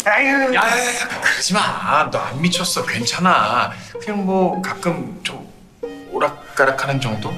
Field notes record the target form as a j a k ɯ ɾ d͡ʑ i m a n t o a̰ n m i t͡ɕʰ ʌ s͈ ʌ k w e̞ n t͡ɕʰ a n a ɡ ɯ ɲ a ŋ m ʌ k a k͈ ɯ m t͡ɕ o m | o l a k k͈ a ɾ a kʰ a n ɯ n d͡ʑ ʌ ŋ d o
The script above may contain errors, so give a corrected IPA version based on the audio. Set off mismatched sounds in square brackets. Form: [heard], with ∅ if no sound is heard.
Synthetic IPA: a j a k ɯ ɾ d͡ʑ i m a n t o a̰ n m i t͡ɕʰ ʌ s͈ ʌ k w e̞ n t͡ɕʰ a n a [k] ɯ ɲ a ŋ m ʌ k a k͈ ɯ m t͡ɕ o m | o [ɾ] a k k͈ a ɾ a kʰ a n ɯ n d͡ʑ ʌ ŋ d o